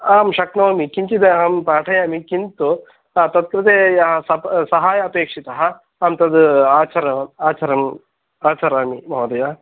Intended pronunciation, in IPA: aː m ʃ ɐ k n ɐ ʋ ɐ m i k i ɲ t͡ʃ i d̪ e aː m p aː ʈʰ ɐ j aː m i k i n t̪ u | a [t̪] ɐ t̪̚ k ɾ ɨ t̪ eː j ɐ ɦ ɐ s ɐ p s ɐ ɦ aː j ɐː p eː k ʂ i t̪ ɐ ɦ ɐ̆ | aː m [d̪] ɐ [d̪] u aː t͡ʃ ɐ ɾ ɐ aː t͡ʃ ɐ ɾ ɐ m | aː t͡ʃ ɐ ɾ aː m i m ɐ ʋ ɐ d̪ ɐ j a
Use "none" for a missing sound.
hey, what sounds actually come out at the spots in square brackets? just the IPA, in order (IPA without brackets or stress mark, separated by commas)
t̪, t̪, d̪